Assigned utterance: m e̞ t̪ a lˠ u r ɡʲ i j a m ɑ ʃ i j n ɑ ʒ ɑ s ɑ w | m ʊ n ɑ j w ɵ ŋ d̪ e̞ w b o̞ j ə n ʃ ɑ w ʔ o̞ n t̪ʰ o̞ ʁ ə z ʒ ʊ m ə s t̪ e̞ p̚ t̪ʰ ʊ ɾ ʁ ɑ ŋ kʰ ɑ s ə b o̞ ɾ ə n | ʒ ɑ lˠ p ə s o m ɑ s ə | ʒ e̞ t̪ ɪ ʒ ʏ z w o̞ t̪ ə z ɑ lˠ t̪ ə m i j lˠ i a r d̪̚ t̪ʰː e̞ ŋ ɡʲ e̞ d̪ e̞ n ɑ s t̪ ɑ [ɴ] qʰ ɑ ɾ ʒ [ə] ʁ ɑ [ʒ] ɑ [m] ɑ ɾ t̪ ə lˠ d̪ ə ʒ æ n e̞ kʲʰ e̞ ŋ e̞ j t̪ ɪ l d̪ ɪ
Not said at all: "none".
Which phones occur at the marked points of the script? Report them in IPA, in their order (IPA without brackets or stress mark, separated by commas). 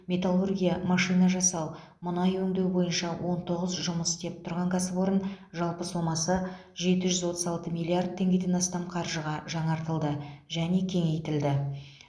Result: m, ə, ʒ, ɴ